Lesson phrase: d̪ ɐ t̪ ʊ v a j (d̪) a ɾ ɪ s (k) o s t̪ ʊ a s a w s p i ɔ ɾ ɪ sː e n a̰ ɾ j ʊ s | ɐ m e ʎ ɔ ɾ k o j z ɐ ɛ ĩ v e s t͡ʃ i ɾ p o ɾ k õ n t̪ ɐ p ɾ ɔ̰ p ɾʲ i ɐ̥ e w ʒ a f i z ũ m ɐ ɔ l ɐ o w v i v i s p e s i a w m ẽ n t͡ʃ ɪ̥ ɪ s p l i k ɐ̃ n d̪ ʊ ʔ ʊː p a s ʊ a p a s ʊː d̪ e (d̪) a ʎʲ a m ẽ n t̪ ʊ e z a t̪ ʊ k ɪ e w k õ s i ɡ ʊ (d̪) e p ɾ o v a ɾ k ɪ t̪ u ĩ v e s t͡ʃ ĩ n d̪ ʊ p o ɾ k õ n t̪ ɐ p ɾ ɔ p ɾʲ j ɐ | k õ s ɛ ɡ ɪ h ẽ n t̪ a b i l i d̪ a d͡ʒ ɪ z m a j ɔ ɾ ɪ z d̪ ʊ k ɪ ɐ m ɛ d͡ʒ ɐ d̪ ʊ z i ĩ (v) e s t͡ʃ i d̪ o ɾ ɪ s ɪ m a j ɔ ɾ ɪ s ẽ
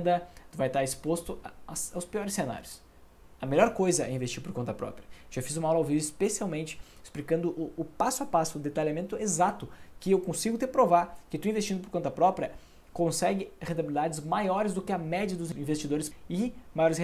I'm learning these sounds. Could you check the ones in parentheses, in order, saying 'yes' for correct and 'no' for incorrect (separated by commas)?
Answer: no, no, no, no, yes